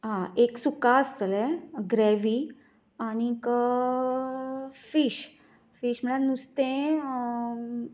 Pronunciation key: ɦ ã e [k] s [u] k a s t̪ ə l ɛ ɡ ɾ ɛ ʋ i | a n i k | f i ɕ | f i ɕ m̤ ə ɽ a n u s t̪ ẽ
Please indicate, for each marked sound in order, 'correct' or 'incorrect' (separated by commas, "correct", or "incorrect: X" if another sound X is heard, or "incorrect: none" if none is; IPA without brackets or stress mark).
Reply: correct, correct